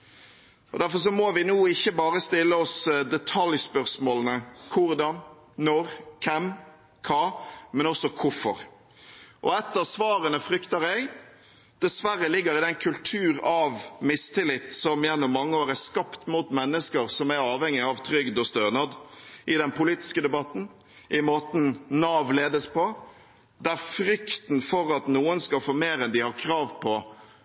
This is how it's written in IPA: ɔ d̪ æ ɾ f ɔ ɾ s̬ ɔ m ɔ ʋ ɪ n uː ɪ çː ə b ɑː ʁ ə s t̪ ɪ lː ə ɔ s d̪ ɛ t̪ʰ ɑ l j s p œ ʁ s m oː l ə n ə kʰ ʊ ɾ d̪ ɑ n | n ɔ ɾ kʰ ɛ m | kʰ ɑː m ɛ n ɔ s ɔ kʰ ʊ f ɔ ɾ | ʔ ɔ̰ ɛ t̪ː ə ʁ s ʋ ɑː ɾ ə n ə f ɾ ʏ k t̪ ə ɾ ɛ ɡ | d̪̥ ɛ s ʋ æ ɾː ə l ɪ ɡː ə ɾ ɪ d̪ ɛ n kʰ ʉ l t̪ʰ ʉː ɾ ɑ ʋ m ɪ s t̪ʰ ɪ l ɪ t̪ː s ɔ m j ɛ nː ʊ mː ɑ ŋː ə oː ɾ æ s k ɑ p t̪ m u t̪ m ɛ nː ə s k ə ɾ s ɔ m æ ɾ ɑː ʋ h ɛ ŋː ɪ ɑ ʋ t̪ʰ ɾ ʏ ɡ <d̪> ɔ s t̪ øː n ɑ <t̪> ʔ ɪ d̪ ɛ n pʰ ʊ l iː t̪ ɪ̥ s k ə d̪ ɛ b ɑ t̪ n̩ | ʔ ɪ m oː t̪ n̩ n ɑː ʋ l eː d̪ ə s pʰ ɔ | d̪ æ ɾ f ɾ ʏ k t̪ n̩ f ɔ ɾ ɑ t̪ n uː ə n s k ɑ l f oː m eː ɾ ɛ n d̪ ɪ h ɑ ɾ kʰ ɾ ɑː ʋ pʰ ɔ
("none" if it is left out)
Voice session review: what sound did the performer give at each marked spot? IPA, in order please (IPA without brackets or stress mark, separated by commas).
d̪, d̪